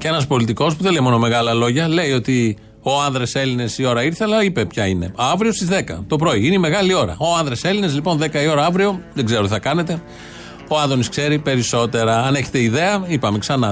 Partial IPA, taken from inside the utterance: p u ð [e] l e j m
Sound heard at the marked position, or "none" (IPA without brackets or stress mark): e